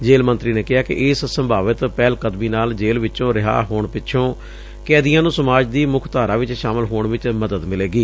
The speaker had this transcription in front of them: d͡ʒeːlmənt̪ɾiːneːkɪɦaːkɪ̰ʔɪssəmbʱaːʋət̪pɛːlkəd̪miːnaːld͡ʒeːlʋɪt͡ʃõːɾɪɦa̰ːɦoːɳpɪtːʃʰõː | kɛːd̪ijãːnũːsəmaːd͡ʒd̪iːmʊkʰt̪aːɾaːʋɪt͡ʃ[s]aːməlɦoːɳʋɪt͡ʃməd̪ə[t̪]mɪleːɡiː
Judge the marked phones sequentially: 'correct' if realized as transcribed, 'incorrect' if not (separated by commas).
incorrect, incorrect